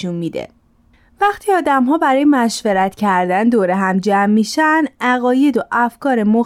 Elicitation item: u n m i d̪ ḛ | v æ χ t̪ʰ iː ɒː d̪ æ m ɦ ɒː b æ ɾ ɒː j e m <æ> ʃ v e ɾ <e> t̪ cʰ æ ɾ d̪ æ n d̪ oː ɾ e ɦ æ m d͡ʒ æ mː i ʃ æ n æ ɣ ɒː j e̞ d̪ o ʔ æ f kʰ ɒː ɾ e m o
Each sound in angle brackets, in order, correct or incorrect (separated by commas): correct, incorrect